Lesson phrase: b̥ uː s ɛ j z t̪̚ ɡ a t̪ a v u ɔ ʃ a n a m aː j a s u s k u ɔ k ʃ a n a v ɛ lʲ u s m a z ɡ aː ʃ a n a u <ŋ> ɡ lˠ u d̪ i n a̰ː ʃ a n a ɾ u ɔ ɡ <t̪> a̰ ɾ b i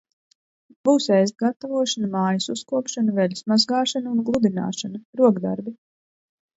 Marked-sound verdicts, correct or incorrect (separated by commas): incorrect, incorrect